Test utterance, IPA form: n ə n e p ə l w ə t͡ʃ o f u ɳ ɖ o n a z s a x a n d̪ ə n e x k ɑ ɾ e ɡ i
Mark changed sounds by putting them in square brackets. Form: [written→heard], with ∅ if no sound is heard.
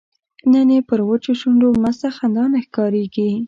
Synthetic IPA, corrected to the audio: n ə n e p ə [l→ɾ] w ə t͡ʃ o [f→ʃ] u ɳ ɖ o [n→m] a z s a x a n d̪ [ə→ɑ] n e x k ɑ ɾ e ɡ i